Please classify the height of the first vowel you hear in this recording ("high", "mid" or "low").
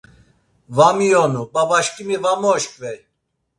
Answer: low